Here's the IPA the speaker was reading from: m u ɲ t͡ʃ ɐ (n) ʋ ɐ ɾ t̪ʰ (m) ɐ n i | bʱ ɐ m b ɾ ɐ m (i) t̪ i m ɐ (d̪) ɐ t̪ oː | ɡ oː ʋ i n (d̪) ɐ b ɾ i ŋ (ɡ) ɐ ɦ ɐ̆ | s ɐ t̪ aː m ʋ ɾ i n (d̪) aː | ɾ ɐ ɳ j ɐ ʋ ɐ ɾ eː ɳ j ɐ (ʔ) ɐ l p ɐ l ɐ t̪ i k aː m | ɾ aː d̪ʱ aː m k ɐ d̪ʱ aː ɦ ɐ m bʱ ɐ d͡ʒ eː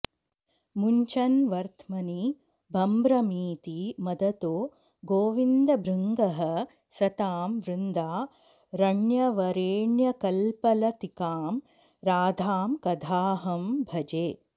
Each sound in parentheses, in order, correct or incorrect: correct, correct, incorrect, correct, correct, correct, correct, incorrect

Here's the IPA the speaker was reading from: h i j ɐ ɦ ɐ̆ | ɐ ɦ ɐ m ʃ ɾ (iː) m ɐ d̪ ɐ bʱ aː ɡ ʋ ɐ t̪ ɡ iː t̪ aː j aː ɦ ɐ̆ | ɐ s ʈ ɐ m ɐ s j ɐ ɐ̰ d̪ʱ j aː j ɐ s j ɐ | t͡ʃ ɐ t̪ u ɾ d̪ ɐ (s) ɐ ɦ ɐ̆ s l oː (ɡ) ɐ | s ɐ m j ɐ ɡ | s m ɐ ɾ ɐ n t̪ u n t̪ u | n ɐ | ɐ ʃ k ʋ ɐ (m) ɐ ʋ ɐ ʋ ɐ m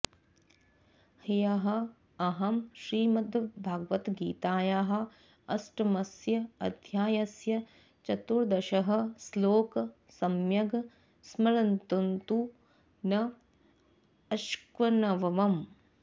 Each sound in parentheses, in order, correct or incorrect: correct, incorrect, incorrect, incorrect

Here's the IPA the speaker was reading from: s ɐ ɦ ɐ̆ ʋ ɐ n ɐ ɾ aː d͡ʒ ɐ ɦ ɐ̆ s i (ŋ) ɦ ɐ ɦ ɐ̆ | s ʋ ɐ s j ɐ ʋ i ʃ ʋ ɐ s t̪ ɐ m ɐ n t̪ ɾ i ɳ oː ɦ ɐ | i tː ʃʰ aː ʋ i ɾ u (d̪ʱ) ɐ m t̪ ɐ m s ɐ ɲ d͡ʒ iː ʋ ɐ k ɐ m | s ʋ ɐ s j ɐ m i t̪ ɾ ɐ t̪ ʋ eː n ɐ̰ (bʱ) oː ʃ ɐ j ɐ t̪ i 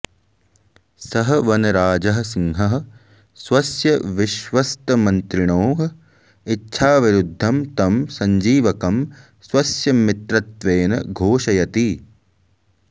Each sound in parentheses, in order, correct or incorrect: correct, incorrect, incorrect

